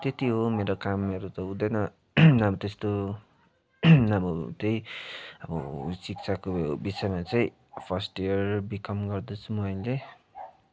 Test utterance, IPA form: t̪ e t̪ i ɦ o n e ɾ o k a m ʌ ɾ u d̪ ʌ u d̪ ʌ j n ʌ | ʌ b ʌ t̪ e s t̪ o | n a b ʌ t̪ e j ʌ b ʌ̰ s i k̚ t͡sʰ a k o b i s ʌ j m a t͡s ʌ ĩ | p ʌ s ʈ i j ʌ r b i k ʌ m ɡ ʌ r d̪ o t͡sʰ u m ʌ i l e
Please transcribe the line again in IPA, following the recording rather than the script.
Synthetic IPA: t̪ e t̪ i ɦ o m e ɾ o k a m ʌ ɾ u t̪ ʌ u d̪ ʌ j n ʌ | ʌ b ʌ t̪ e s t̪ o | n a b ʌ t̪ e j ʌ b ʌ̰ s i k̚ t͡sʰ a k o b i s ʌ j m a t͡s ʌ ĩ | pʰ ʌ s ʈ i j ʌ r b i k ʌ m ɡ ʌ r d̪ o t͡sʰ u m ʌ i l e